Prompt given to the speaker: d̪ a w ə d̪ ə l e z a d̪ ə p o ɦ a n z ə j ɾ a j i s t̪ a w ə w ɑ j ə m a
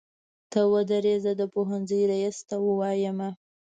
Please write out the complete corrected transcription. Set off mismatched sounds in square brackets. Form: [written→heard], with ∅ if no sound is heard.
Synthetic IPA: [d̪→t̪] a w ə d̪ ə [l→ɾ] e z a d̪ ə p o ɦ a n z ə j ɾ a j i s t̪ a w ə w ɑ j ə m a